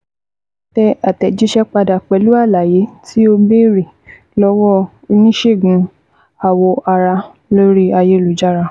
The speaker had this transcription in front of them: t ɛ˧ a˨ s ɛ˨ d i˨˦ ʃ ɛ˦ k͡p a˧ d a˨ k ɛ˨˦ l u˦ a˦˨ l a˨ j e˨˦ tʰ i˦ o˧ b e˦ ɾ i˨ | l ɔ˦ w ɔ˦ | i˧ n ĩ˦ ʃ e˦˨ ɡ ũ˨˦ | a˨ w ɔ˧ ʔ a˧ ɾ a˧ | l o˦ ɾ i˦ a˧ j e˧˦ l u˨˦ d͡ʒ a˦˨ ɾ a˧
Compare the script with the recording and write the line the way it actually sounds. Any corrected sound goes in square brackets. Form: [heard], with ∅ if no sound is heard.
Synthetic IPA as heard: t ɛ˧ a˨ [t] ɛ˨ [d͡ʒ] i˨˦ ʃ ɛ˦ k͡p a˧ d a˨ [k͡p] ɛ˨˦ l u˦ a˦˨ l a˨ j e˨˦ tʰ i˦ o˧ b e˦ ɾ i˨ | l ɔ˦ w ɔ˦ | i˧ n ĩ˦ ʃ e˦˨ ɡ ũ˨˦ | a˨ w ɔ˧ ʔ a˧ ɾ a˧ | l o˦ ɾ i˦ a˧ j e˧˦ l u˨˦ d͡ʒ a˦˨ ɾ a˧